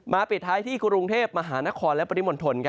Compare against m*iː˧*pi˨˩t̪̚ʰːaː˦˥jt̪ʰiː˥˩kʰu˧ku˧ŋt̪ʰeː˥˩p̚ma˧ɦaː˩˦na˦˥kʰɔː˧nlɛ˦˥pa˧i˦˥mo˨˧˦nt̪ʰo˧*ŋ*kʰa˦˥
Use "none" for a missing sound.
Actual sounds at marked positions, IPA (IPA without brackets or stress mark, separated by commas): aː˧, n